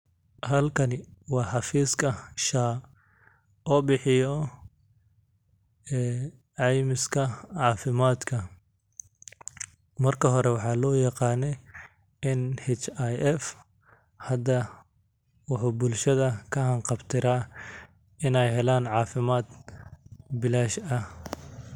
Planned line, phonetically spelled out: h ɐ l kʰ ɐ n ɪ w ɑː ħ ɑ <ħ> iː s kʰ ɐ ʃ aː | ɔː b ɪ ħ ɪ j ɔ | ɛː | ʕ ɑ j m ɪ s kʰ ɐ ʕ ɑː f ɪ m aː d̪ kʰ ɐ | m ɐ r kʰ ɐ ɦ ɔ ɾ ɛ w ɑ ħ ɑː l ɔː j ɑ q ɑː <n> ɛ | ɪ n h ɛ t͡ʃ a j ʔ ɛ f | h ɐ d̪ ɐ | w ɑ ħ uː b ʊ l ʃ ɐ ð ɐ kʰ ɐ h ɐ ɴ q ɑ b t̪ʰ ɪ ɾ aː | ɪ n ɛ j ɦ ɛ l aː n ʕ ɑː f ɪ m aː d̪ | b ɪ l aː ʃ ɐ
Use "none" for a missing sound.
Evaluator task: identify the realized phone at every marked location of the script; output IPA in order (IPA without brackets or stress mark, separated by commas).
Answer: f, n